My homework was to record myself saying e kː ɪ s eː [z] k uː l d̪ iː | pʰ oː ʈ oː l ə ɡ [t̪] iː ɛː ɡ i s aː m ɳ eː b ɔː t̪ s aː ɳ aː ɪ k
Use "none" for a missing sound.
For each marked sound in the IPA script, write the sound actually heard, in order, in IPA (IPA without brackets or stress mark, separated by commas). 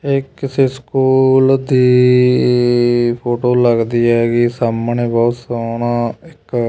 s, d̪